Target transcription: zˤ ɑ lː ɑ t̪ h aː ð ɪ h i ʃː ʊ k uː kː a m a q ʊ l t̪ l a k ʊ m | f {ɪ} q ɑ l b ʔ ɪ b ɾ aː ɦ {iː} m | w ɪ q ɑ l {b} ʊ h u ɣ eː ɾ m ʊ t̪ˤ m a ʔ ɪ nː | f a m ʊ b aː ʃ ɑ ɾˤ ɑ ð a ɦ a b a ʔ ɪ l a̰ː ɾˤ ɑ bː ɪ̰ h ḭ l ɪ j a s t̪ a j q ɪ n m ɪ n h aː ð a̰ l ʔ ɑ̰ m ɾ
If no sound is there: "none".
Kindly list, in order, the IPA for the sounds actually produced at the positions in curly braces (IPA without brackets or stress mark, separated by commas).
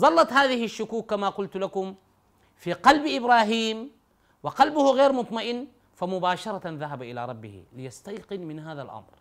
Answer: i, iː, b